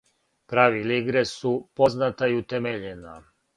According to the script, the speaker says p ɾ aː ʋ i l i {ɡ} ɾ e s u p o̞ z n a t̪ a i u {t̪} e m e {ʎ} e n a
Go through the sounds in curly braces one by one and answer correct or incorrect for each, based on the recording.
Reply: correct, correct, correct

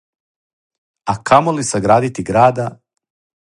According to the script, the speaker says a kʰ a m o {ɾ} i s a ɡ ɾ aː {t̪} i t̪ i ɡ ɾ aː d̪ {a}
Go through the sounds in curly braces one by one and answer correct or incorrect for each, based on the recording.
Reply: incorrect: l, incorrect: d̪, correct

